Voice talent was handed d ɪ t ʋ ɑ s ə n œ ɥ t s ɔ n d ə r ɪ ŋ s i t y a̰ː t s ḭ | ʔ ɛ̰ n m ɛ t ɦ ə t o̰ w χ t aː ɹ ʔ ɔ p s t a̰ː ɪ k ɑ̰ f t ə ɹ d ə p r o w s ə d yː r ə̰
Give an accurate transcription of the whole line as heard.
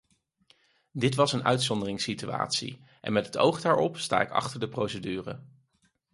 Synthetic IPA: d ɪ t ʋ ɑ s ə n œ ɥ t s ɔ n d ə r ɪ ŋ s i t y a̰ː t s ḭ | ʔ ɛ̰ n m ɛ t ɦ ə t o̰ w χ d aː ɹ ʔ ɔ p s t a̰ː ɪ k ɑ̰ χ t ə ɹ d ə p r o w s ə d yː r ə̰